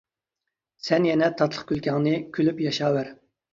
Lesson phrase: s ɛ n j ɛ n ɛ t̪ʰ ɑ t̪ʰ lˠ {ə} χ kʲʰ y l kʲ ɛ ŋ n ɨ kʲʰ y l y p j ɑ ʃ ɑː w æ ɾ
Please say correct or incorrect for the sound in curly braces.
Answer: correct